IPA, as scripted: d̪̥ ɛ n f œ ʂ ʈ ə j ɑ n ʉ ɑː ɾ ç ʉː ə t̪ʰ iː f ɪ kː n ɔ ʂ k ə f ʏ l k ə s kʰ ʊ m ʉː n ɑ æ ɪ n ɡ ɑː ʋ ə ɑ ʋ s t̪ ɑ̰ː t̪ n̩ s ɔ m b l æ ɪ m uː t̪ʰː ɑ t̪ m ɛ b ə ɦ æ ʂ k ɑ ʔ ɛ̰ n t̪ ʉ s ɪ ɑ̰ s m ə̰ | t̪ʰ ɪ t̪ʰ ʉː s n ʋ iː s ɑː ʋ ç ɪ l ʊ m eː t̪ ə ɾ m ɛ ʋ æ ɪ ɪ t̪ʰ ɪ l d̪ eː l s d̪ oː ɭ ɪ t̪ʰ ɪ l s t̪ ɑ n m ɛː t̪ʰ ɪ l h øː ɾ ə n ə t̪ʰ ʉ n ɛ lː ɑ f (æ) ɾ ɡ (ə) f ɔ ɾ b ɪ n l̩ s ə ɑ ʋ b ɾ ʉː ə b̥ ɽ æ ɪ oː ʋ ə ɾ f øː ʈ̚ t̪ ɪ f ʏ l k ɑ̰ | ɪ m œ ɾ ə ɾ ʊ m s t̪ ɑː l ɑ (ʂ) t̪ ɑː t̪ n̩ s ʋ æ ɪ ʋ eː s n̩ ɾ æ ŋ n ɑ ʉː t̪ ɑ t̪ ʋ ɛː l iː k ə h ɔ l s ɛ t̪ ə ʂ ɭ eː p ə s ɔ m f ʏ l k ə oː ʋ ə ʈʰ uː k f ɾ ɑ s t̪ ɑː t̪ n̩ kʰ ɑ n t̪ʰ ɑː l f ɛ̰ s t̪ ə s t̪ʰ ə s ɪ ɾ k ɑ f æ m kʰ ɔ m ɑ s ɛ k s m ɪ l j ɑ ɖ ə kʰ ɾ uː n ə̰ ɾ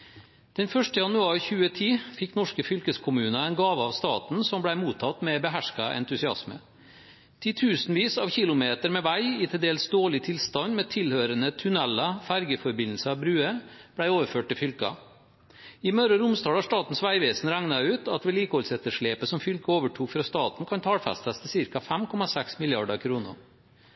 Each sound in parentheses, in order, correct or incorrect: correct, correct, correct

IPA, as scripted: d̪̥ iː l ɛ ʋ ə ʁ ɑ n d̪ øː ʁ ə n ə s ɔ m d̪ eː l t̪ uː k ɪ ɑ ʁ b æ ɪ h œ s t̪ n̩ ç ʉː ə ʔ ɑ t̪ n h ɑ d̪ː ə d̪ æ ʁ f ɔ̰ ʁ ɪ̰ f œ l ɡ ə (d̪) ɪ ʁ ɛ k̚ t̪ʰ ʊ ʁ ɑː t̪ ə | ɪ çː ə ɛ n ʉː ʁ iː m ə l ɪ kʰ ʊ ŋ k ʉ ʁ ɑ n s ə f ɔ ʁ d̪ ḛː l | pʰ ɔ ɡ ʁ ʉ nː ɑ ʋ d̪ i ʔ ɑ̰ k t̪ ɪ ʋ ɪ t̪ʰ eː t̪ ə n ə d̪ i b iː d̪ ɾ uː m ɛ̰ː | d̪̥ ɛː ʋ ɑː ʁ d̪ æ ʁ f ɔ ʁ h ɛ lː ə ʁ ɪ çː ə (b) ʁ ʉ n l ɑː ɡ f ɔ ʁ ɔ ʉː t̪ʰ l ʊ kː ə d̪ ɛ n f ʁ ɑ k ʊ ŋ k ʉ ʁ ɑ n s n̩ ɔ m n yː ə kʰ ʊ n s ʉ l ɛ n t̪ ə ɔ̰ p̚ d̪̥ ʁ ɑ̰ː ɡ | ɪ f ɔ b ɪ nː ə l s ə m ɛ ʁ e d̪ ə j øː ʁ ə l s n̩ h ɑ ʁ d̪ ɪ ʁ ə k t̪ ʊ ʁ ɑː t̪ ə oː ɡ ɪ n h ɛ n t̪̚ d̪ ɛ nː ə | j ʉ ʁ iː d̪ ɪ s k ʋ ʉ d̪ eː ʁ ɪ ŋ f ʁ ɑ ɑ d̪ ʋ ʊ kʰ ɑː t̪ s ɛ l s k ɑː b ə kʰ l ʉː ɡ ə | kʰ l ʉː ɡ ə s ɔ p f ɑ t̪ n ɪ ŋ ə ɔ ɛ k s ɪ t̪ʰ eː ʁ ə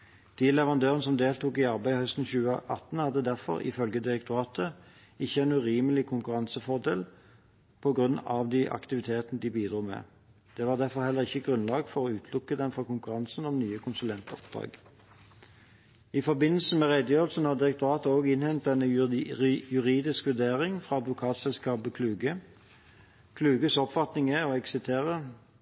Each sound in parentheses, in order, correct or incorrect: correct, incorrect

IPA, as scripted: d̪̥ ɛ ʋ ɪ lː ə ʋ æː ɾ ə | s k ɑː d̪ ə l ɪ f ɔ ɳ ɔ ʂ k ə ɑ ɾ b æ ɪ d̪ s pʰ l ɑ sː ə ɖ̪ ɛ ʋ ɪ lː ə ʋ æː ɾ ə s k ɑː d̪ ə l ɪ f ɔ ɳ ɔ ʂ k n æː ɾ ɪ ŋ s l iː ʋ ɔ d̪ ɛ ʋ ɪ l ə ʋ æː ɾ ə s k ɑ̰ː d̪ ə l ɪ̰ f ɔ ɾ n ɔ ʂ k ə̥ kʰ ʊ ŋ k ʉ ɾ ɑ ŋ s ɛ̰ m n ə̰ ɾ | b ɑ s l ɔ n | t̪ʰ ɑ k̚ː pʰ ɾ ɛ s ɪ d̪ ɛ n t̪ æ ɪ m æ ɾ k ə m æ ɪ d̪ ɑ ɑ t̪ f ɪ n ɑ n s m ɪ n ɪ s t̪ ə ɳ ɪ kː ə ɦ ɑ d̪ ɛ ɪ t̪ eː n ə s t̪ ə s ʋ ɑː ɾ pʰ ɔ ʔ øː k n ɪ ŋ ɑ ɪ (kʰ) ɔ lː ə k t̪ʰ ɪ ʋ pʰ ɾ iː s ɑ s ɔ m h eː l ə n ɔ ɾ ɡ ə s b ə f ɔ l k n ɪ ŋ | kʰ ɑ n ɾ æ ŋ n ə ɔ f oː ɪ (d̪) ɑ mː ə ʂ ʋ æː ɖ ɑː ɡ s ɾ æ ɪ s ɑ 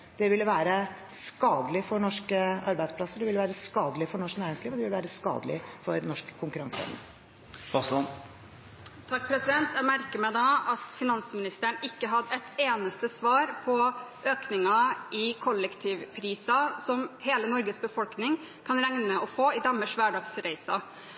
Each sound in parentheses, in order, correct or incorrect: correct, correct

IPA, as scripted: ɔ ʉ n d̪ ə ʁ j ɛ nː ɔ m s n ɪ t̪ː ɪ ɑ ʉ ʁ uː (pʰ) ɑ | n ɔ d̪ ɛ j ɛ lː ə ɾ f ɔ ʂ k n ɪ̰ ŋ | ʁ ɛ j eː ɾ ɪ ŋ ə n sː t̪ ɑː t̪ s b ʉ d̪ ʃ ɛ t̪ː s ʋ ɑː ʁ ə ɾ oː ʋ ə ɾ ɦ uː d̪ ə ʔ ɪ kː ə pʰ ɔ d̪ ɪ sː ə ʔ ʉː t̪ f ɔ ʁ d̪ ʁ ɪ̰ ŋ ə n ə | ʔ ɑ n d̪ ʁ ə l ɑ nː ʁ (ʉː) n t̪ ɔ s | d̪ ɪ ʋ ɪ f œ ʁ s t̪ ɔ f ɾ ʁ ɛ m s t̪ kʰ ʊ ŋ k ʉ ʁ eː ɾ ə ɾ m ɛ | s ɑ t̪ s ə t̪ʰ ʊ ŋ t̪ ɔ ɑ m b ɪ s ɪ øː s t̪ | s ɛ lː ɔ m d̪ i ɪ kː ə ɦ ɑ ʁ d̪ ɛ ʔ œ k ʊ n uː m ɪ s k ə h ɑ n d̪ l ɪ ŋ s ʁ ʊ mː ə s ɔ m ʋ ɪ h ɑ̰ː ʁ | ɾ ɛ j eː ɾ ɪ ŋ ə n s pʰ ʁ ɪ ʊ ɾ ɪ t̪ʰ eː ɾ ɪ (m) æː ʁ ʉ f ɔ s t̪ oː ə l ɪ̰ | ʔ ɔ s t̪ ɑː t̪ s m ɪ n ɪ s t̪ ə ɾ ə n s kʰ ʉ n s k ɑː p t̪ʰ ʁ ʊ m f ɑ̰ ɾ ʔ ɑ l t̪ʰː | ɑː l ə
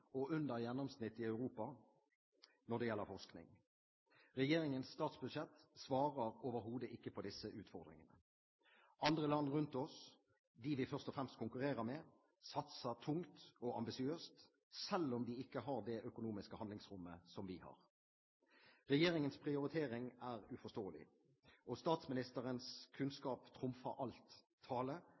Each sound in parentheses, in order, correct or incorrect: incorrect, incorrect, incorrect

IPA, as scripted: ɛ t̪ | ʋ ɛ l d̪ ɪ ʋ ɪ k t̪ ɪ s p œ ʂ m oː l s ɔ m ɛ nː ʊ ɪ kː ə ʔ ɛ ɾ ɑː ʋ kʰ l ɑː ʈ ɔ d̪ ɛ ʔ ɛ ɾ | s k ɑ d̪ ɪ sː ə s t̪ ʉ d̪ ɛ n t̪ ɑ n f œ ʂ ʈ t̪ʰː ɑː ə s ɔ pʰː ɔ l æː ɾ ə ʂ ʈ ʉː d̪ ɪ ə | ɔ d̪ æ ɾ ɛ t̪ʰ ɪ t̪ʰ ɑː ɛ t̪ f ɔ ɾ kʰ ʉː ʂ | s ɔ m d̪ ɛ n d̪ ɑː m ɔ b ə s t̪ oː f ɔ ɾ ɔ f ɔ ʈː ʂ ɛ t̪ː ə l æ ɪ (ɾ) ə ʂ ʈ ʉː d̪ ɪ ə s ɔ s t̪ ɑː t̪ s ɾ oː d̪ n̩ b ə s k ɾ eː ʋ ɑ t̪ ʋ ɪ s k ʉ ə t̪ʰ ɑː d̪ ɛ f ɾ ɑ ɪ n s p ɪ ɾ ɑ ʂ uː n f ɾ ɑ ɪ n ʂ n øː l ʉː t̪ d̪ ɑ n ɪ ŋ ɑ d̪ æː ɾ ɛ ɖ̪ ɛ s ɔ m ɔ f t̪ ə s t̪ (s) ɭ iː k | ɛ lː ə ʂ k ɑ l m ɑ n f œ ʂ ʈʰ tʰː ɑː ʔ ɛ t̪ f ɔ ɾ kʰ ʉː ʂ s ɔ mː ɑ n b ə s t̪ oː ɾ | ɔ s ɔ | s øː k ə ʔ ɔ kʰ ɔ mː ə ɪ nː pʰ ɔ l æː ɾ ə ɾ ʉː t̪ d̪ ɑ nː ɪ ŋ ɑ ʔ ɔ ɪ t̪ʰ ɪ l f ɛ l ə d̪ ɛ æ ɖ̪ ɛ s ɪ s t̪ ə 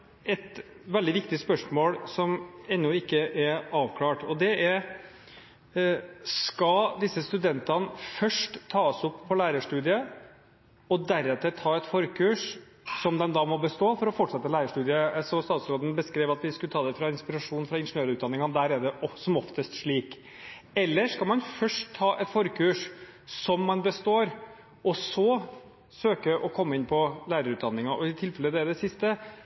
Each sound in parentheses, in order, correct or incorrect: correct, incorrect

